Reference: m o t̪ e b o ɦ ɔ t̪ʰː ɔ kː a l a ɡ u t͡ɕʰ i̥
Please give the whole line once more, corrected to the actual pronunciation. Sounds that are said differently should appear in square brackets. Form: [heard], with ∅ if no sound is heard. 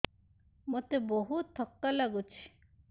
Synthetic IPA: m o t̪ e b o ɦ [u] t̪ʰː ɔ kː a l a ɡ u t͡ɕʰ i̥